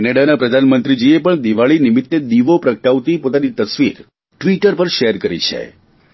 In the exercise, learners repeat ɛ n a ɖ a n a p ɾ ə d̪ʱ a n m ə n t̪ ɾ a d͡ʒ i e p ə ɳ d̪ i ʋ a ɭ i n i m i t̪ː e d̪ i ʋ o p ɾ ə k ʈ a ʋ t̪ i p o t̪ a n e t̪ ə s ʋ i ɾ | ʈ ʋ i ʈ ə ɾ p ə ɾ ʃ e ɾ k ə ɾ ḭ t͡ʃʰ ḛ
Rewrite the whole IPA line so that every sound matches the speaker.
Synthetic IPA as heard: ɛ n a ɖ a n a p ɾ ə d̪ʱ a n m ə n t̪ ɾ i d͡ʒ i e p ə ɳ d̪ i ʋ a ɭ i n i m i t̪ː e d̪ i ʋ o p ɾ ə k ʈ a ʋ t̪ i p o t̪ a n i t̪ ə s ʋ i ɾ | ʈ ʋ i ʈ ə ɾ p ə ɾ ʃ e ɾ k ə ɾ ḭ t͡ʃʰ ḛ

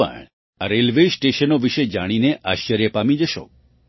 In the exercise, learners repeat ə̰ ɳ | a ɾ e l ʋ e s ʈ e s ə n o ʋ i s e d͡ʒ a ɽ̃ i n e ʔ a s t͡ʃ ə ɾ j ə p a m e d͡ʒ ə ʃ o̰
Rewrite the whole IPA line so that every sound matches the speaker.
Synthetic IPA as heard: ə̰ ɳ | a ɾ e l ʋ e s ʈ e ʃ ə n o ʋ i ʃ e d͡ʒ a ɽ̃ i n e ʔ a ʃ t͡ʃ ə ɾ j ə p a m i d͡ʒ ə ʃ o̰

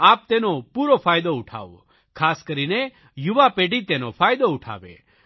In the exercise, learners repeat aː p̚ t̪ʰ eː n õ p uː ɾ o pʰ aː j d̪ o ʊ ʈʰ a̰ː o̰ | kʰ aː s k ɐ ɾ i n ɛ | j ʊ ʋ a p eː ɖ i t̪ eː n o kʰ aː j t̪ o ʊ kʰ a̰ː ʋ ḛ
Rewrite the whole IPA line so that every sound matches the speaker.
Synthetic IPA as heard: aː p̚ t̪ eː n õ p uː ɾ o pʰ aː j d̪ o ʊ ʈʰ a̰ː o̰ | kʰ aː s k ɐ ɾ i n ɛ | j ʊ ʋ a p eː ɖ i t̪ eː n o pʰ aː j d̪ o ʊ ʈʰ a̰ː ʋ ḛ

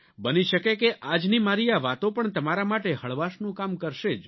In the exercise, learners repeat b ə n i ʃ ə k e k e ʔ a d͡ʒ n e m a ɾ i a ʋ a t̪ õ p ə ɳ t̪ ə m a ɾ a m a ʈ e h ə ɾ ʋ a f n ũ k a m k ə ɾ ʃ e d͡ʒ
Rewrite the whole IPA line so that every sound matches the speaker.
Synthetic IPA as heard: b ə n i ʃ ə k e k e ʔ a d͡ʒ n i m a ɾ i a ʋ a t̪ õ p ə ɳ t̪ ə m a ɾ a m a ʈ e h ə ɭ ʋ a ʃ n ũ k a m k ə ɾ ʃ e d͡ʒ

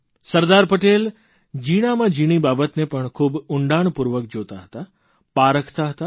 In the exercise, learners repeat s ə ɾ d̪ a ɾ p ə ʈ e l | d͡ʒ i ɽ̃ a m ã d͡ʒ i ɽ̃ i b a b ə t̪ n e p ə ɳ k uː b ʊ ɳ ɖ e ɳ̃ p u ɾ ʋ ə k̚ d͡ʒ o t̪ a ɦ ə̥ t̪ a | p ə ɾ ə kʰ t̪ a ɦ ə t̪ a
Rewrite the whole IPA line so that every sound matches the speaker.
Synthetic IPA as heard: s ə ɾ d̪ a ɾ p ə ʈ e l | d͡ʒ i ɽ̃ a m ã d͡ʒ i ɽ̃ i b a b ə t̪ n e p ə ɳ kʰ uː b ʊ ɳ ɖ a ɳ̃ p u ɾ ʋ ə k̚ d͡ʒ o t̪ a ɦ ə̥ t̪ a | p a ɾ ə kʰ t̪ a ɦ ə t̪ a

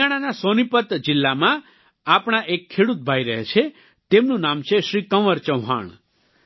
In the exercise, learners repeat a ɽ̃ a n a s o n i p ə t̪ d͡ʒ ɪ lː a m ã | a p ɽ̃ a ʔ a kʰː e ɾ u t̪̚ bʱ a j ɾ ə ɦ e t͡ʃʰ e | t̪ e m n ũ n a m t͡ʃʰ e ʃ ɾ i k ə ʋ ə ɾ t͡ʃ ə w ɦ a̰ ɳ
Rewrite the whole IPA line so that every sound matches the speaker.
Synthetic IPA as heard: a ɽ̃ a n a s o n i p ə t̪ d͡ʒ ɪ lː a m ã | a p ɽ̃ a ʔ e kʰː e ɽ u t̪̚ bʱ a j ɾ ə ɦ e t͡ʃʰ e | t̪ e m n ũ n a m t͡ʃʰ e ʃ ɾ i k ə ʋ ə ɾ t͡ʃ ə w ɦ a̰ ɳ

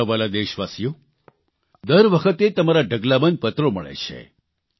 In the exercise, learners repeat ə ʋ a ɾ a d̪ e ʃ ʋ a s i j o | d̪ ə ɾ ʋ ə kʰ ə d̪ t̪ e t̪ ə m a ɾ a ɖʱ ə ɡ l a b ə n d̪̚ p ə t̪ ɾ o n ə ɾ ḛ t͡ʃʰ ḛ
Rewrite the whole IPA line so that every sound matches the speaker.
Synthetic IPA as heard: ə ʋ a l a d̪ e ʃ ʋ a s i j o | d̪ ə ɾ ʋ ə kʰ ə t̪ e t̪ ə m a ɾ a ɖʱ ə ɡ l a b ə n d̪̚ p ə t̪ ɾ o m ə ɭ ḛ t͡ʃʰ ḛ

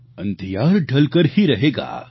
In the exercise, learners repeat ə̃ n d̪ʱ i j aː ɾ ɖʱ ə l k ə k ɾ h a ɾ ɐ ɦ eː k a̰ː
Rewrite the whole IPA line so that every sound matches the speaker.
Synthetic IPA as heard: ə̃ n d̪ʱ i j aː ɾ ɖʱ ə l k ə ɾ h i ɾ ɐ ɦ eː ɡ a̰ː

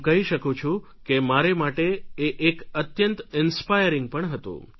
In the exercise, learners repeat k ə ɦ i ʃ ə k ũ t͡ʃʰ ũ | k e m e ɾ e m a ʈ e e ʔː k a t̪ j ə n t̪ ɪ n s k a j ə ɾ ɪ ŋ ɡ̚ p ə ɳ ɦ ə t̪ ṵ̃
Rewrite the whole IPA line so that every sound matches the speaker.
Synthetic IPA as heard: k ə ɦ i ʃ ə k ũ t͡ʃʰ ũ | k e m a ɾ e m a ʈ e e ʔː k ə t̪ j ə n t̪ ɪ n s p a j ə ɾ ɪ ŋ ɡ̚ p ə ɳ ɦ ə t̪ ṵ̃

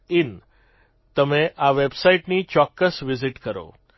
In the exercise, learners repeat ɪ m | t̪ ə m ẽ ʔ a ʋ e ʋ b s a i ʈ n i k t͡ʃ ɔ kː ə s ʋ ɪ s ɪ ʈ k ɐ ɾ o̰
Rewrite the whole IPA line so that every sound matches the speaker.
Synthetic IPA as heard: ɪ n | t̪ ə m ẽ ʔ a ʋ e b s a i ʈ n i t͡ʃ ɔ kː ə s ʋ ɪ z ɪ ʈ k ə ɾ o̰

